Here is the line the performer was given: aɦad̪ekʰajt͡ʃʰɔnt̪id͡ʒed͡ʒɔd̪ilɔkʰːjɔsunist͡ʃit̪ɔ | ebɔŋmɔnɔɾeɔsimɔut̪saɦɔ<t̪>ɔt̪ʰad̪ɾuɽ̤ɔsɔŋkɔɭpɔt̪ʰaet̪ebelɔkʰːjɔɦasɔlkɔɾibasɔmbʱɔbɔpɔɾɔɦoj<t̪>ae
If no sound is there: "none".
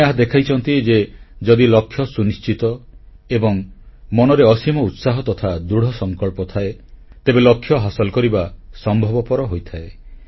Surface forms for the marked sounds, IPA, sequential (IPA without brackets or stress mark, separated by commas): t̪, t̪ʰ